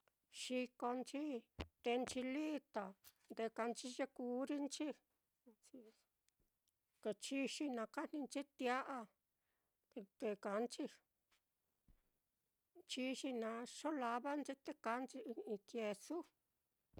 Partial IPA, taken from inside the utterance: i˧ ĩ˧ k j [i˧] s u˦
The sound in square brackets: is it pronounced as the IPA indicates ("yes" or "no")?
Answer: no